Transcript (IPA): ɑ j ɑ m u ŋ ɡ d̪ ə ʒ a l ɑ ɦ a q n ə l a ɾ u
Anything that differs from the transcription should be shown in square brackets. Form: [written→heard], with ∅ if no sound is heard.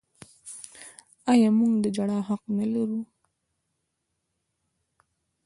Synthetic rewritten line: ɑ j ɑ m u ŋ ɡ d̪ ə [ʒ→d͡ʒ] a [l→ɽ] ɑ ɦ a q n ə l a ɾ u